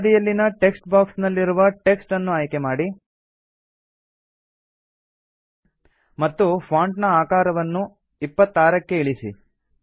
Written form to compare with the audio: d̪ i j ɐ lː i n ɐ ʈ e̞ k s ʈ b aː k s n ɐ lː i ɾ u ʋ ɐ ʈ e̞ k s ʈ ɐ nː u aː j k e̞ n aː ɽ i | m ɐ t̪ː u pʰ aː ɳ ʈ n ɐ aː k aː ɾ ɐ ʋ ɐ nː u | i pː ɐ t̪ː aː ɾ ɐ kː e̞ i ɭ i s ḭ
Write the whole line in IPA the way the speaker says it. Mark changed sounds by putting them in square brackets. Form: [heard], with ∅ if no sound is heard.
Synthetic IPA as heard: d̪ i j ɐ lː i n ɐ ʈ e̞ k s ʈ b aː k s n ɐ lː i ɾ u ʋ ɐ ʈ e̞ k s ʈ ɐ nː u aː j k e̞ [m] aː ɽ i | m ɐ t̪ː u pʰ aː ɳ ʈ n ɐ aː k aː ɾ ɐ ʋ ɐ nː u | i pː ɐ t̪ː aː ɾ ɐ kː e̞ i ɭ i s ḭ